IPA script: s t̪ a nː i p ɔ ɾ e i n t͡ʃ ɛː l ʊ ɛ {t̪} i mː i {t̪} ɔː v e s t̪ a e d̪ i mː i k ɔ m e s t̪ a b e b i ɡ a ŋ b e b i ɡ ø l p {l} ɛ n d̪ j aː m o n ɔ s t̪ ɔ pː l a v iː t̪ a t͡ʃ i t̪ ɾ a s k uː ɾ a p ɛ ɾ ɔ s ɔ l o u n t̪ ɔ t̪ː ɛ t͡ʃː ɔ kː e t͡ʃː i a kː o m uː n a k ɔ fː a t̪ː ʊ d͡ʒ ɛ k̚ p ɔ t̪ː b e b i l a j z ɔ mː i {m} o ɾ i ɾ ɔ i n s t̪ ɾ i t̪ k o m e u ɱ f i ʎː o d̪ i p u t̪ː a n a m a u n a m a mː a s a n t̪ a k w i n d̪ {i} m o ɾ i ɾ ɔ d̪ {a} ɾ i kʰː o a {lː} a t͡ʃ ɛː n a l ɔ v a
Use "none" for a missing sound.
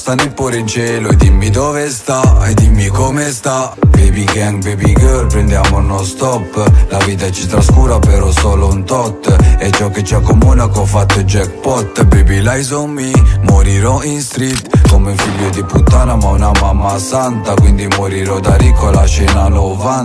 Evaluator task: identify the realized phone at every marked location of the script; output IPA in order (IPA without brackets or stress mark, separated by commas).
d̪, d̪, ɾ, m, i, a, l